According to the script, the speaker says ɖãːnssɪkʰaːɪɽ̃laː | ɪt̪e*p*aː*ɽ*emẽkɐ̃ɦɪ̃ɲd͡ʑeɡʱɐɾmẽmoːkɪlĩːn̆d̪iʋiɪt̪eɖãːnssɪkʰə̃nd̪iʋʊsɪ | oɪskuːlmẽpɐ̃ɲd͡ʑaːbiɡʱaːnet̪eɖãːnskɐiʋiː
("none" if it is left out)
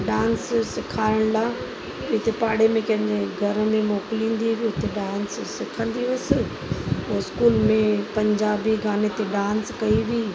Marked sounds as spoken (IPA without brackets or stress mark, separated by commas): p, ɽ